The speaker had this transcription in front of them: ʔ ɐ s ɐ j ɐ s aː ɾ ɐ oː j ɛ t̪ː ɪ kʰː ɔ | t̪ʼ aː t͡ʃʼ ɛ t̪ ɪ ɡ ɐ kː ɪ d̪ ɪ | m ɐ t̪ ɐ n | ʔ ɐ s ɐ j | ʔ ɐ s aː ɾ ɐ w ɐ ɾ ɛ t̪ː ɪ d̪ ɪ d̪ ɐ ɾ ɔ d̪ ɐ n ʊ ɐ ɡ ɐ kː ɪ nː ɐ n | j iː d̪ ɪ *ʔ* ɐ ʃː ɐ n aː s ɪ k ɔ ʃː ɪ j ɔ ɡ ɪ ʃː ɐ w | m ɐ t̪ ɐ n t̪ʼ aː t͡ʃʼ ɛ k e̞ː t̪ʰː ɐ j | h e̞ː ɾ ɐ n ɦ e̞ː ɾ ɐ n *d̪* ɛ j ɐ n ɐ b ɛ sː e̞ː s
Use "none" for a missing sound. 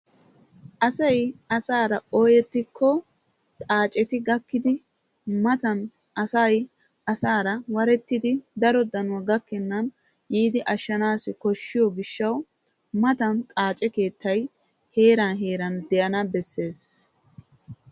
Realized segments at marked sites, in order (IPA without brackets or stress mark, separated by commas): ʔ, d̪